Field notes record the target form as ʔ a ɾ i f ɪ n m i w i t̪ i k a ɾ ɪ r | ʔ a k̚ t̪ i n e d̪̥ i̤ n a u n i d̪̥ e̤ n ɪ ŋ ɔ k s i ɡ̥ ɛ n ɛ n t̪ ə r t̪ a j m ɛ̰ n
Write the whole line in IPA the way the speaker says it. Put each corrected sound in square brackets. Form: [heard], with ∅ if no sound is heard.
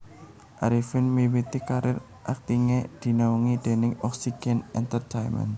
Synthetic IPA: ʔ a ɾ i f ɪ n m i w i t̪ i k a ɾ ɪ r | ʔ a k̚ t̪ i [ŋ] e d̪̥ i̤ n a u [ŋ] i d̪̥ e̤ n ɪ ŋ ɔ k s i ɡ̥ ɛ n ɛ n t̪ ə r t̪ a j m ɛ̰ n